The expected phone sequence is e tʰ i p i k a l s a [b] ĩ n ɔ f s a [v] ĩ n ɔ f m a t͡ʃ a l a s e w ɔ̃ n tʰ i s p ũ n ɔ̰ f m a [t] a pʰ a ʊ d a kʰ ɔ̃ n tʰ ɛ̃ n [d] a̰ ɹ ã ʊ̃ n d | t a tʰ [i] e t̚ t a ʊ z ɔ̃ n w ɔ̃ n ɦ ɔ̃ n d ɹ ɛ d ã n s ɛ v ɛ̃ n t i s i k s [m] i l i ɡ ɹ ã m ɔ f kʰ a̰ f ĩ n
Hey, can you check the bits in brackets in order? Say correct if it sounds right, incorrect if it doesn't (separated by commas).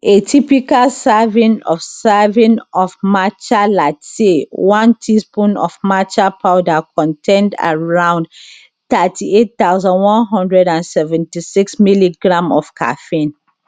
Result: incorrect, correct, incorrect, correct, correct, correct